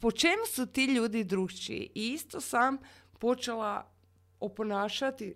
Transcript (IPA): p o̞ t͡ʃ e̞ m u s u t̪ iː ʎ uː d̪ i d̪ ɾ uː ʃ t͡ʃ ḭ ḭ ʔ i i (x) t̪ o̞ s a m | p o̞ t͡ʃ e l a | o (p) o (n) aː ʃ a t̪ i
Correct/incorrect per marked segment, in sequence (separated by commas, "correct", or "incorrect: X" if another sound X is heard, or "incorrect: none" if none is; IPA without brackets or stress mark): incorrect: s, correct, correct